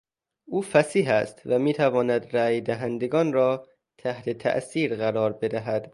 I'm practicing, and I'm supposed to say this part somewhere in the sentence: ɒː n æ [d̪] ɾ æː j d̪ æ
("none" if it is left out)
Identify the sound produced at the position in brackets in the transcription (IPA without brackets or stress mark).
d̪